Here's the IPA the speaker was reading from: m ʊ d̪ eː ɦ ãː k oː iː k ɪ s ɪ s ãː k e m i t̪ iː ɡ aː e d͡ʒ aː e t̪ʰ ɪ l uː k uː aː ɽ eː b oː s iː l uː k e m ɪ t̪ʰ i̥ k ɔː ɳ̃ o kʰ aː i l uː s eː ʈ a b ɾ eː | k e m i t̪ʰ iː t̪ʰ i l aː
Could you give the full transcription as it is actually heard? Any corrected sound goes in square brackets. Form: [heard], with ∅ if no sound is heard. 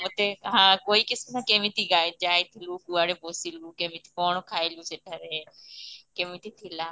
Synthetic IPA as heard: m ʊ [t̪] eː ɦ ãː k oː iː k ɪ s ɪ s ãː k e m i t̪ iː ɡ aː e d͡ʒ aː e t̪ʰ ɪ l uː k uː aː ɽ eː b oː s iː l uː k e m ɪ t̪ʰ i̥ k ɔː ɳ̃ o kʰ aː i l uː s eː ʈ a [∅] ɾ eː | k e m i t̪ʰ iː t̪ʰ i l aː

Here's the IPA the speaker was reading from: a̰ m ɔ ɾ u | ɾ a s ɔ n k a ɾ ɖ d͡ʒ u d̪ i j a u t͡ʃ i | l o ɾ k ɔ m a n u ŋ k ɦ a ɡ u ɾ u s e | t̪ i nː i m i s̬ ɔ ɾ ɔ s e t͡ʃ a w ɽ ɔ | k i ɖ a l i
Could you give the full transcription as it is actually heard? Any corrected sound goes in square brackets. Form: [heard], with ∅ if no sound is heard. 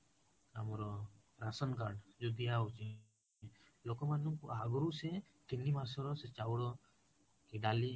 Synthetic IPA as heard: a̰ m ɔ ɾ [ɔ] | ɾ a s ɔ n k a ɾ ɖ d͡ʒ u d̪ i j a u t͡ʃ i | l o [∅] k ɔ m a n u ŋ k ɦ a ɡ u ɾ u s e | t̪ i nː i m [a] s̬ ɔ ɾ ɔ s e t͡ʃ a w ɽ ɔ | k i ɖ a l i

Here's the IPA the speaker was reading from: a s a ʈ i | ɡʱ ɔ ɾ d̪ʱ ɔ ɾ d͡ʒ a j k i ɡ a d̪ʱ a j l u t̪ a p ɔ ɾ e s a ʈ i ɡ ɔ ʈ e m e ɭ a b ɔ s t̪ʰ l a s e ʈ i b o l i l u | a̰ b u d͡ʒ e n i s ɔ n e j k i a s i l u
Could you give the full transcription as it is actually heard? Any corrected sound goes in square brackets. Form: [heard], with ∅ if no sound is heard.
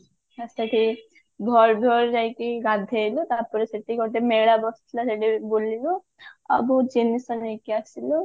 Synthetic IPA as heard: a s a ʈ i | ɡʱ ɔ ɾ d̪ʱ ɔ ɾ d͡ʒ a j k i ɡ a d̪ʱ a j l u t̪ a p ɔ ɾ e s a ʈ i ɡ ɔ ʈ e m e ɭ a b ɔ s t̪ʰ l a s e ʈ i b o l i l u | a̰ b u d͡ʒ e n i s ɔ n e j k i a s i l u

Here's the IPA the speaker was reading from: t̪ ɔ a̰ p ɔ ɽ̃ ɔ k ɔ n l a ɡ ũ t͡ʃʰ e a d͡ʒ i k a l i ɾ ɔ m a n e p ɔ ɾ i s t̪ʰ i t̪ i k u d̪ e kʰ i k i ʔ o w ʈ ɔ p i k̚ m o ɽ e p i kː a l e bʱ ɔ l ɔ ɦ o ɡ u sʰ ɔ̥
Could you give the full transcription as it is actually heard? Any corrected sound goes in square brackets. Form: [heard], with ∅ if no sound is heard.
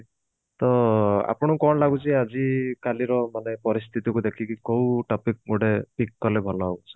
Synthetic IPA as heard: t̪ ɔ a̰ p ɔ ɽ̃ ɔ k ɔ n l a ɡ [u] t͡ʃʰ [i] a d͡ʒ i k a l i ɾ ɔ m a n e p ɔ ɾ i s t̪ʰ i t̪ i k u d̪ e kʰ i k i [k] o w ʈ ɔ p i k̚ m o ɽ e p i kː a l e bʱ ɔ l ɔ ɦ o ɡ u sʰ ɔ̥

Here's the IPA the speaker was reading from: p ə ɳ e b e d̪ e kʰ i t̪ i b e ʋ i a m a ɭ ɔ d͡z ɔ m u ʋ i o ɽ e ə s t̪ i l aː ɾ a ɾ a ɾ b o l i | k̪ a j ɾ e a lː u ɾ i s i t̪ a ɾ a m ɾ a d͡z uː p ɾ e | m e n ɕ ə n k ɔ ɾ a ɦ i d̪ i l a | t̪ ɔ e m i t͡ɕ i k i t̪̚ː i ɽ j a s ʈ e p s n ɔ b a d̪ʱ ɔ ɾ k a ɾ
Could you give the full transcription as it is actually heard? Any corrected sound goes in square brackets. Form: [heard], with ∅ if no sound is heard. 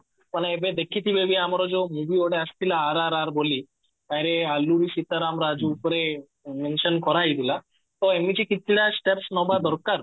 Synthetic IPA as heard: p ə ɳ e b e d̪ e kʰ i t̪ i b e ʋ i a m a [ɾ] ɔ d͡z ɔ m u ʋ i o ɽ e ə s t̪ i l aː ɾ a ɾ a ɾ b o l i | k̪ a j ɾ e a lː u ɾ i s i t̪ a ɾ a m ɾ a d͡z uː p ɾ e | m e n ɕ ə n k ɔ ɾ a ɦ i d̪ i l a | t̪ ɔ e m i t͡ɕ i k i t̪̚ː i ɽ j a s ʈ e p s n ɔ b a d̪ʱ ɔ ɾ k a ɾ

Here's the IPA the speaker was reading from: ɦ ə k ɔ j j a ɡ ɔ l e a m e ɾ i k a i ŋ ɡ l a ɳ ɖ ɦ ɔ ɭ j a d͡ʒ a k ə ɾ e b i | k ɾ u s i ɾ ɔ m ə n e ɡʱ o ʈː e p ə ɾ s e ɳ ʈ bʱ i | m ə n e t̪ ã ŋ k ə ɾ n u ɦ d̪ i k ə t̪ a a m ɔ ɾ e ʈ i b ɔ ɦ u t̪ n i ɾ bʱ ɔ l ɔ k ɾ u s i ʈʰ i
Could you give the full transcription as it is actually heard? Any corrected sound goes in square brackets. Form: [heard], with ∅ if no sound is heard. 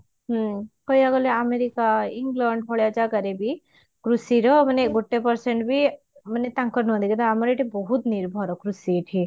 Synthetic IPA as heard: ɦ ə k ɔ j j a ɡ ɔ l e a m e ɾ i k a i ŋ ɡ l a ɳ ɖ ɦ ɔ ɭ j a d͡ʒ a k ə ɾ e b i | k ɾ u s i ɾ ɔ m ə n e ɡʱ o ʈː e p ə ɾ s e ɳ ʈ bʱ i | m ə n e t̪ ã ŋ k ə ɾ n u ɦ d̪ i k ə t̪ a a m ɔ ɾ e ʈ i b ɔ ɦ u t̪ n i ɾ bʱ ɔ [ɾ] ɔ k ɾ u s i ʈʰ i

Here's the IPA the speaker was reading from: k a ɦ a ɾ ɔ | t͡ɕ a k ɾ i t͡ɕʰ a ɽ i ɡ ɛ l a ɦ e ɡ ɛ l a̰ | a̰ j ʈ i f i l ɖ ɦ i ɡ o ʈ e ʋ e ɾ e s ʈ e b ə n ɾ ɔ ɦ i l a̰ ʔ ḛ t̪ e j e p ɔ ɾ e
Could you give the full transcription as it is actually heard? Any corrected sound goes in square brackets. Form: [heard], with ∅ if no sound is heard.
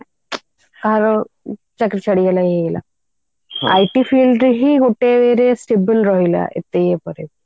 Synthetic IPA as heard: k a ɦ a ɾ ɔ | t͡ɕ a k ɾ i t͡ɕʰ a ɽ i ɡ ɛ l a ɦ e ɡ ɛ l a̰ | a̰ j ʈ i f i l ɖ ɦ i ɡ o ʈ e ʋ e ɾ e s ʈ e b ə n ɾ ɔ ɦ i l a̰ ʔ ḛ t̪ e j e p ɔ ɾ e

